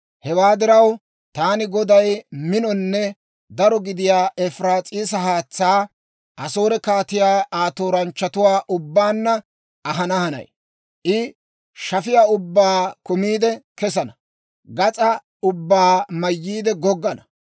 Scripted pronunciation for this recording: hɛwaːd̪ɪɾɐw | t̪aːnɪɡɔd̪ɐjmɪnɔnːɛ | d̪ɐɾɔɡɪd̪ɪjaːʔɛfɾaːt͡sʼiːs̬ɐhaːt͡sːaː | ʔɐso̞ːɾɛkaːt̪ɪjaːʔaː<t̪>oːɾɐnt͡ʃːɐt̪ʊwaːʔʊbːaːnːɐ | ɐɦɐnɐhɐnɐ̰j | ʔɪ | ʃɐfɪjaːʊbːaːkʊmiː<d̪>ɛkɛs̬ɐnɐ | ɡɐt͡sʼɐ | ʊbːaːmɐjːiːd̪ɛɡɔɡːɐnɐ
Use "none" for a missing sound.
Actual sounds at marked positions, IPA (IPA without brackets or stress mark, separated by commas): t̪, d̪